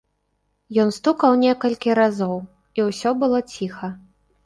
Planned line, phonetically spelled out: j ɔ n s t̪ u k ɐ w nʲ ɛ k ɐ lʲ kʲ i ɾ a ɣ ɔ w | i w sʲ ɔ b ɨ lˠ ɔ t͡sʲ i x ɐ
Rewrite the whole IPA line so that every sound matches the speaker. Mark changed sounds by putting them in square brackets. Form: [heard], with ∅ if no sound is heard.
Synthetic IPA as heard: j ɔ n s t̪ u k ɐ w nʲ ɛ k ɐ lʲ kʲ i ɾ a [z] ɔ w | i w sʲ ɔ b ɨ lˠ ɔ t͡sʲ i x ɐ